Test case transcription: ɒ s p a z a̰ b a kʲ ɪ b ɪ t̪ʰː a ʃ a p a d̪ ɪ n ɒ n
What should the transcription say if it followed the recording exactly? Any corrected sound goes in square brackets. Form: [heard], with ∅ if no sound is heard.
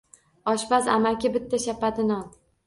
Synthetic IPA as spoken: ɒ [ʃ] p a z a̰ [m] a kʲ ɪ b ɪ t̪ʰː a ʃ a p a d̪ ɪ n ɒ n